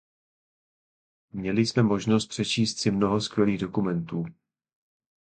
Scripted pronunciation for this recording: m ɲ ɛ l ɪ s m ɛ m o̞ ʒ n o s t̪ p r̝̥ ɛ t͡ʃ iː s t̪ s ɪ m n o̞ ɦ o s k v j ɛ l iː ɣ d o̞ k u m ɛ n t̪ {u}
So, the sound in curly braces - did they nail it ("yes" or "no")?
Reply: no